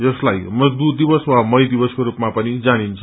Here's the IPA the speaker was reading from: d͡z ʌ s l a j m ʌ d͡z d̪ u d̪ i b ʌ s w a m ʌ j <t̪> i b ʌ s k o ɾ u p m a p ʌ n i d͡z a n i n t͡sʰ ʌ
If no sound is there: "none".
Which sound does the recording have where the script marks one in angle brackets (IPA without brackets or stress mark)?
d̪